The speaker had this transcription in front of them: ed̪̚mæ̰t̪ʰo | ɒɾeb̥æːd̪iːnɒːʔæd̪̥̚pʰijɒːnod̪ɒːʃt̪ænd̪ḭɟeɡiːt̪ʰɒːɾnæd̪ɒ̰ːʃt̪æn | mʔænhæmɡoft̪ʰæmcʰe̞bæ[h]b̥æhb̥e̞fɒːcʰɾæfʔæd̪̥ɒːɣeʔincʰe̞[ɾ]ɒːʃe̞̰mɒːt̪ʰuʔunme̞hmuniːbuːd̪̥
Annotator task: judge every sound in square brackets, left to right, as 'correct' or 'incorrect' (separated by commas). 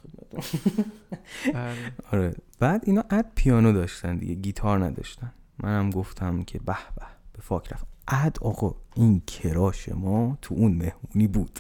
correct, correct